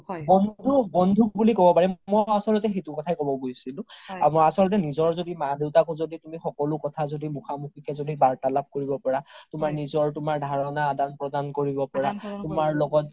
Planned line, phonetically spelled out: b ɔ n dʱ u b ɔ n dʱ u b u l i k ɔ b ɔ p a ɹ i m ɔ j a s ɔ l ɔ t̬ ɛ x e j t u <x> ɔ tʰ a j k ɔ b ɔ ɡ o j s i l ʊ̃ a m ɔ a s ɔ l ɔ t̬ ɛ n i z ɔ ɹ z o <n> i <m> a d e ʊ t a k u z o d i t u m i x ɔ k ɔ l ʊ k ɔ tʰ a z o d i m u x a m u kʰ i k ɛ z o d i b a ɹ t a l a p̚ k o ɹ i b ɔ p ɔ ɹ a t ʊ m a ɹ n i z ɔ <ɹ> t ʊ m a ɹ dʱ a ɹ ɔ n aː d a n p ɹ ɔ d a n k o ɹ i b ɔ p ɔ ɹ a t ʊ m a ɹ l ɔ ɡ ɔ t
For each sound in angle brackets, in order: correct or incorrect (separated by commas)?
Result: incorrect, incorrect, correct, correct